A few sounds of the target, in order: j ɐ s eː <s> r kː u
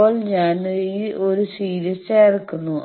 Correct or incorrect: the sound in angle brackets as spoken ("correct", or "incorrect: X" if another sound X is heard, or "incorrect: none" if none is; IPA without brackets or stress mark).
incorrect: none